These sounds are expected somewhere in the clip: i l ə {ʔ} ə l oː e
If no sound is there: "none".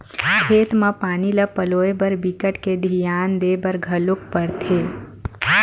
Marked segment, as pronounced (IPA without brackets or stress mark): p